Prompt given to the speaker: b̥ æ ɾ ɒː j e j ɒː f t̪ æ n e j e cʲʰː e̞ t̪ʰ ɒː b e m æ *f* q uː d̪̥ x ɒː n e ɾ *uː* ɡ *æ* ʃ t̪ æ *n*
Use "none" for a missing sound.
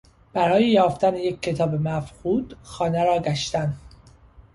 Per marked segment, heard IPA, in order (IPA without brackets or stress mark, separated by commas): f, ɒː, æ, n